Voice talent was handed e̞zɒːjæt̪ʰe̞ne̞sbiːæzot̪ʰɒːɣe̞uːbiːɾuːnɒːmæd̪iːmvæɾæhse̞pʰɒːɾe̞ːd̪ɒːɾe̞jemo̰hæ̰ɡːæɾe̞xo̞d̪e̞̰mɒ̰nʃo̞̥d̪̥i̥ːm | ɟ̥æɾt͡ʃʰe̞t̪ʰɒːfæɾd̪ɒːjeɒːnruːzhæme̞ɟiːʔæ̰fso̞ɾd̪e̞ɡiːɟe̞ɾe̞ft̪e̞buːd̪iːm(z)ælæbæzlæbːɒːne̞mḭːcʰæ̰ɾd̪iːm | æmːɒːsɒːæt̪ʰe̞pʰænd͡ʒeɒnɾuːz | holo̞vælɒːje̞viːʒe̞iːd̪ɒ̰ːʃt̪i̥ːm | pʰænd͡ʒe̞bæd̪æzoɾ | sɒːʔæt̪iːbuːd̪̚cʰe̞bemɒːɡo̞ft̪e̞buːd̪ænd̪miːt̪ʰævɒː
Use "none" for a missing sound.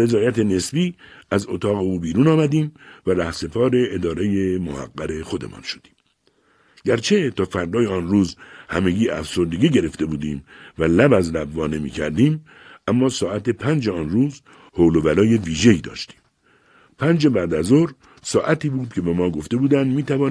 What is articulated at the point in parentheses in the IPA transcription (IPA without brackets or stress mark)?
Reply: v